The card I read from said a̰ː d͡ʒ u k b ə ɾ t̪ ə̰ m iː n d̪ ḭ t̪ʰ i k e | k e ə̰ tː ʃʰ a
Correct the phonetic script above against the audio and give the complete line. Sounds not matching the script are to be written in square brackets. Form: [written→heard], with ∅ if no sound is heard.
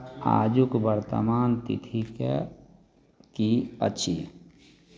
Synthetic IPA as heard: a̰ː d͡ʒ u k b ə ɾ t̪ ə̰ m [iː→aː] n [d̪→t̪] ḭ t̪ʰ i k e | k [e→i] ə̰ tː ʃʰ [a→i]